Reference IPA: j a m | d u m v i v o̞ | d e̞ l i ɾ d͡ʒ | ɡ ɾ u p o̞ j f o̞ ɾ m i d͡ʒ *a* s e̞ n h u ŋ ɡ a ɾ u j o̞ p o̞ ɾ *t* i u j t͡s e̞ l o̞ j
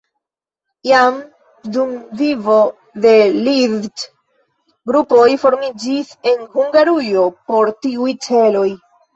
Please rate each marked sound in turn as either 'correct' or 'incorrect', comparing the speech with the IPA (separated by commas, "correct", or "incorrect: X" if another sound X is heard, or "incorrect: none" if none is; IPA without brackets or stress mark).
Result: incorrect: i, correct